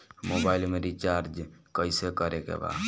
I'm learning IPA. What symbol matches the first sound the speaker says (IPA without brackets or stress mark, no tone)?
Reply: m